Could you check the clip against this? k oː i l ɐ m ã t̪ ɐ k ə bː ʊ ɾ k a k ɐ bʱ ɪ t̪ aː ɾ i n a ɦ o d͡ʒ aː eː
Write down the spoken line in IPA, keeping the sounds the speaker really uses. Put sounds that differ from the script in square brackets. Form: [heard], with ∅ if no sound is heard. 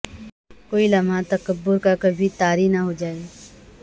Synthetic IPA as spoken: k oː i l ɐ m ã t̪ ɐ k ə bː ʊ ɾ k a k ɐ bʱ [i] t̪ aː ɾ i n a ɦ o d͡ʒ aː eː